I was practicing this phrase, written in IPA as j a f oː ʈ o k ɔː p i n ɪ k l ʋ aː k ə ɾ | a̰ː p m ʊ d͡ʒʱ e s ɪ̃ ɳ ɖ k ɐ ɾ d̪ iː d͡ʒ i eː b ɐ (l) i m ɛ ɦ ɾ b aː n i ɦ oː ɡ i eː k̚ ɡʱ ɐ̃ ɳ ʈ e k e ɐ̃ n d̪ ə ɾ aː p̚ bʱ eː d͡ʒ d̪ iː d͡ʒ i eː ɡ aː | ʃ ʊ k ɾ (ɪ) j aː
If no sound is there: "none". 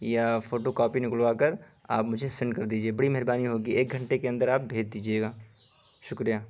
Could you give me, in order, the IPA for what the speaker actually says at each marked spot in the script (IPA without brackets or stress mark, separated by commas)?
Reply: ɽ, i